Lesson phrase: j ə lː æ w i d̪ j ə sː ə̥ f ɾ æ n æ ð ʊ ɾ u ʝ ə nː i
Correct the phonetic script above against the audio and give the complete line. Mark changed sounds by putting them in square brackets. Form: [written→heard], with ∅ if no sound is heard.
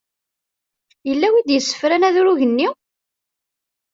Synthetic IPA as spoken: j ə lː æ w i d̪ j ə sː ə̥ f ɾ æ n æ ð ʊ ɾ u ʝ ə nː i